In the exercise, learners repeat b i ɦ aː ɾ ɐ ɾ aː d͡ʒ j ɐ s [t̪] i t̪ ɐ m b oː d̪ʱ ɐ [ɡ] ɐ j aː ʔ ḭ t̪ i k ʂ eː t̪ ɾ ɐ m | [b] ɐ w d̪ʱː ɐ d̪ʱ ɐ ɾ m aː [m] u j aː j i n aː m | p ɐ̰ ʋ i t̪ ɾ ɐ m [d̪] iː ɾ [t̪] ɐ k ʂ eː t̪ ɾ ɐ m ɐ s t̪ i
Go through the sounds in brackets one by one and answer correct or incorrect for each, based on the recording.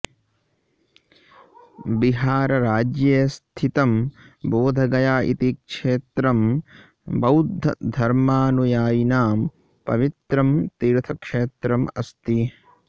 incorrect: t̪ʰ, correct, correct, incorrect: n, incorrect: t̪, incorrect: t̪ʰ

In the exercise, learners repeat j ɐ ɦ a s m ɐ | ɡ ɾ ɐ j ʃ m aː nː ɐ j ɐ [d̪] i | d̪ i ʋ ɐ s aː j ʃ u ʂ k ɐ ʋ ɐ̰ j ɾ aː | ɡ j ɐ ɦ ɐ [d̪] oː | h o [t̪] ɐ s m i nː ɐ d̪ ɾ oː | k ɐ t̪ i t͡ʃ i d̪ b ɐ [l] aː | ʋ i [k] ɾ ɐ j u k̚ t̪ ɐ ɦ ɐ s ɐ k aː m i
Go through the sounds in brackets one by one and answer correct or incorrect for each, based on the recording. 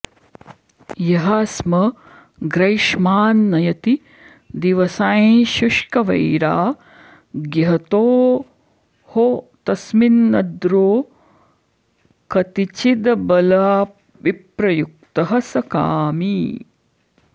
incorrect: t̪, incorrect: t̪, correct, correct, incorrect: p

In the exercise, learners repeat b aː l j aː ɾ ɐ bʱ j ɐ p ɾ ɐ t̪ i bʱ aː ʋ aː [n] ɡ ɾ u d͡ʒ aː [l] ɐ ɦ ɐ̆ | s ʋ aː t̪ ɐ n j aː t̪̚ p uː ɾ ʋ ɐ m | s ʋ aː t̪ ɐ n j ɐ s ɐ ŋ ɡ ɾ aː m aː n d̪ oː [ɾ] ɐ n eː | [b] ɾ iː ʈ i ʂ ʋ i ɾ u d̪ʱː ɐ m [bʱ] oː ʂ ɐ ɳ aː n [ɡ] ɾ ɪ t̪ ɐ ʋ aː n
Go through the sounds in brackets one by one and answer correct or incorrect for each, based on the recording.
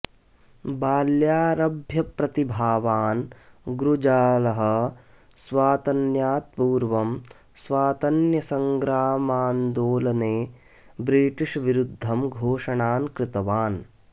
correct, correct, incorrect: l, correct, incorrect: ɡʱ, incorrect: k

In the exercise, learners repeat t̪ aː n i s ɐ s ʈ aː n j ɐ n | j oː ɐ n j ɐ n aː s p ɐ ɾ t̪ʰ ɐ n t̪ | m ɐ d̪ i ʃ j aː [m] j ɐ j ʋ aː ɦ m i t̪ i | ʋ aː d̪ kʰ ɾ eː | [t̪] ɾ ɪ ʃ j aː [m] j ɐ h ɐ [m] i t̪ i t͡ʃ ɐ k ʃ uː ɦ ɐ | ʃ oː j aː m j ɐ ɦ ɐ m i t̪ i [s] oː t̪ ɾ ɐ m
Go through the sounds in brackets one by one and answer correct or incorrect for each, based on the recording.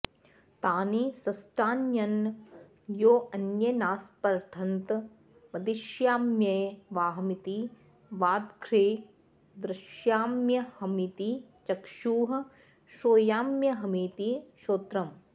correct, incorrect: d̪, correct, correct, incorrect: ʃ

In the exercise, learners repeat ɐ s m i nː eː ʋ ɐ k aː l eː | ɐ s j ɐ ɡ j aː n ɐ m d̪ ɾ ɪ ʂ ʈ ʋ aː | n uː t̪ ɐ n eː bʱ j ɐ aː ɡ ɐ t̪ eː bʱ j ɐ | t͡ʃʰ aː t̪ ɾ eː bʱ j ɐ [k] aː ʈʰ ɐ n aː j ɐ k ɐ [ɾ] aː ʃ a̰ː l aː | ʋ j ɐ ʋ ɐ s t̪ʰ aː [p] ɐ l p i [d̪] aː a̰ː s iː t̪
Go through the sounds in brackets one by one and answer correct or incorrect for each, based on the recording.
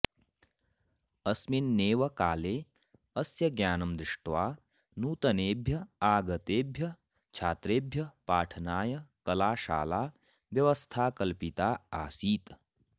incorrect: p, incorrect: l, incorrect: k, incorrect: t̪

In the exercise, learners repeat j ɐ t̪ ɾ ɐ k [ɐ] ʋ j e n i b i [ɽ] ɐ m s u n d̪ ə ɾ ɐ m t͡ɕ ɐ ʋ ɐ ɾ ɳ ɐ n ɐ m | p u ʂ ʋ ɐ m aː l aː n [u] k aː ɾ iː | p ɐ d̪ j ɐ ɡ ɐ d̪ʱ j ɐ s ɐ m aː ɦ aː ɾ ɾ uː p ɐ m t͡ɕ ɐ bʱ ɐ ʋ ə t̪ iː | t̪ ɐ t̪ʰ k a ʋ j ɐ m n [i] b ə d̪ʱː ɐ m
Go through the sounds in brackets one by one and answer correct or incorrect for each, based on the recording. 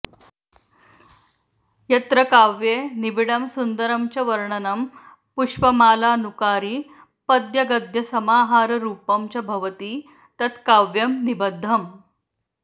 incorrect: a, correct, correct, correct

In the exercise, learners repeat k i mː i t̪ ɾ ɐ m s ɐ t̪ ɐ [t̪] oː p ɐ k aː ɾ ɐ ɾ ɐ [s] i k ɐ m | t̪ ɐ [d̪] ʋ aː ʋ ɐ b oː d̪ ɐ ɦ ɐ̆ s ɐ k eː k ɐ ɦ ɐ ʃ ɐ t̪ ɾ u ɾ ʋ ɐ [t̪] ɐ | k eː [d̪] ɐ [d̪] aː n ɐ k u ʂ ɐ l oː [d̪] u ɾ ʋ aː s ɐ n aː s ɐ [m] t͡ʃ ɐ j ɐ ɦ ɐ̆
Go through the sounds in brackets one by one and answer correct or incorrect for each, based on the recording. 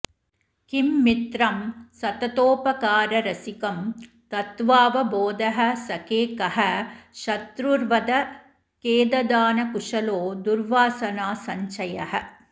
correct, correct, incorrect: t̪, incorrect: d̪, correct, correct, correct, incorrect: ɲ

